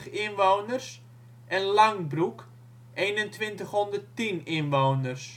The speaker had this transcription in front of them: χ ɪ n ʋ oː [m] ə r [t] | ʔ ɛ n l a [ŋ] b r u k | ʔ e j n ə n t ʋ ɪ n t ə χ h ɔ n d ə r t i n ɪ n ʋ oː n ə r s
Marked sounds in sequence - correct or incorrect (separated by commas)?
incorrect, incorrect, correct